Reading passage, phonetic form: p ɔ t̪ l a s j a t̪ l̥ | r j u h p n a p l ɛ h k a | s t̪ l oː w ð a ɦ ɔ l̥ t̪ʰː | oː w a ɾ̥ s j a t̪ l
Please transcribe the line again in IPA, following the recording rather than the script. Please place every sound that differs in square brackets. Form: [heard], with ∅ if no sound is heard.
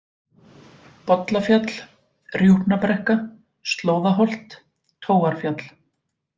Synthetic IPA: p ɔ t̪ l a [f] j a t̪ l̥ | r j u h p n a p [ɾ] ɛ h k a | s t̪ l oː w ð a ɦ ɔ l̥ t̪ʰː | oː w a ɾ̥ [f] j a t̪ l